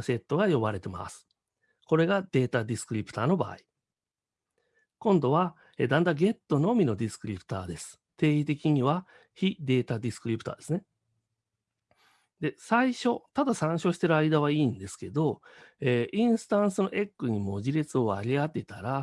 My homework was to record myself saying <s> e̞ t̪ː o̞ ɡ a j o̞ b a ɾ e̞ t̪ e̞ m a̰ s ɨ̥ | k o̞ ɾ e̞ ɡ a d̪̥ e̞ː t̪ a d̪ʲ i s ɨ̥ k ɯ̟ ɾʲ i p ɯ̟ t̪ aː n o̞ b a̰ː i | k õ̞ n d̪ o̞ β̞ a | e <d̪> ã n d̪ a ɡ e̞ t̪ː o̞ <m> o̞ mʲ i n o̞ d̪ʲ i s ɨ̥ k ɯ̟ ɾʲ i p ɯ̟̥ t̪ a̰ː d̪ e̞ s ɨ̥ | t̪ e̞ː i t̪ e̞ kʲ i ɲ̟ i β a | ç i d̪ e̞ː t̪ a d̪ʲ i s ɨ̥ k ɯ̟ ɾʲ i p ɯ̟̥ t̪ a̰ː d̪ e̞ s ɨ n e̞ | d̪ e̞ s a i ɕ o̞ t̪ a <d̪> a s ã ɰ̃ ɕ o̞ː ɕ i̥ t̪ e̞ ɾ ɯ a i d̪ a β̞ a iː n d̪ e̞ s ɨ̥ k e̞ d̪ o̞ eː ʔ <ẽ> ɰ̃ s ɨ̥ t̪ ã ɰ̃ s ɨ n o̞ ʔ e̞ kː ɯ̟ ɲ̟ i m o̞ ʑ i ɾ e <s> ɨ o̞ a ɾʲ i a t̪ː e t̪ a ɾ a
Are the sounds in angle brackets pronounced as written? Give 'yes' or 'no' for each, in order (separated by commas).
yes, yes, no, yes, no, no